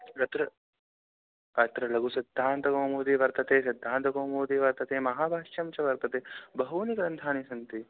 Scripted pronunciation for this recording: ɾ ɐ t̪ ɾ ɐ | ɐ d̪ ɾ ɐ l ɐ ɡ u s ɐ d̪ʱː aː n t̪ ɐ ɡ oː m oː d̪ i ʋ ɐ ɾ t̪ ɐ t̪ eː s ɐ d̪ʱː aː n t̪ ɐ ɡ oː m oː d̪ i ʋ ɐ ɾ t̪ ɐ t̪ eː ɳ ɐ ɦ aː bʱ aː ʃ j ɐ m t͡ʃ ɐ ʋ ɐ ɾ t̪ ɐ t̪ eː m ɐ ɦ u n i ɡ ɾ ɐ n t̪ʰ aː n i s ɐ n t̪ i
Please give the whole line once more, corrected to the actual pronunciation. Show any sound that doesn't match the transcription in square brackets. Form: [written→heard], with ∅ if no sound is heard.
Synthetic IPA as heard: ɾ ɐ t̪ ɾ ɐ | ɐ [d̪→t̪] ɾ ɐ l ɐ ɡ u s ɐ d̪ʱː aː n t̪ ɐ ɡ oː m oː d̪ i ʋ ɐ ɾ t̪ ɐ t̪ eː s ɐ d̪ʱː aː n t̪ ɐ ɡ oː m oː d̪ i ʋ ɐ ɾ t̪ ɐ t̪ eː [ɳ→m] ɐ ɦ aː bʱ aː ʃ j ɐ m t͡ʃ ɐ ʋ ɐ ɾ t̪ ɐ t̪ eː [m→b] ɐ ɦ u n i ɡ ɾ ɐ n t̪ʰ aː n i s ɐ n t̪ i